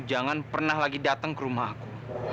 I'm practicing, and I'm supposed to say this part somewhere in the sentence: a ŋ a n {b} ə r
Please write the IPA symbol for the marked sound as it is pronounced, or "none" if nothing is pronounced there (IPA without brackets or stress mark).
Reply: p